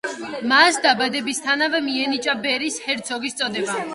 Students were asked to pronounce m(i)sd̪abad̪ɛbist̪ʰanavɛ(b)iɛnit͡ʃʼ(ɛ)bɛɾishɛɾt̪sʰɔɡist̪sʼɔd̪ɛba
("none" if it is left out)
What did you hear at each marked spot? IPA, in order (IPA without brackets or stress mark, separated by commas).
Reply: a, m, a